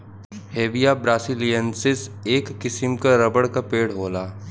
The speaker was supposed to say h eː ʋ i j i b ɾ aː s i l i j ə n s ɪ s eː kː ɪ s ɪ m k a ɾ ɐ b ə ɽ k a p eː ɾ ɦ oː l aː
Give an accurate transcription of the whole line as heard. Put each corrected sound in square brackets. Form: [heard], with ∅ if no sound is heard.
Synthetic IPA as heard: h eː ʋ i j [a] b ɾ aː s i l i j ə n s ɪ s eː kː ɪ s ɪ m k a ɾ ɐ b ə ɽ k a p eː [ɽ] ɦ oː l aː